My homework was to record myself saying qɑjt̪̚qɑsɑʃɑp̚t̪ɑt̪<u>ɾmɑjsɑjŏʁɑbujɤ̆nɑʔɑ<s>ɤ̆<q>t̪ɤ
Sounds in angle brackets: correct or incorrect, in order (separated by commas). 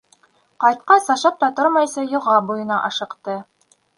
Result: incorrect, incorrect, correct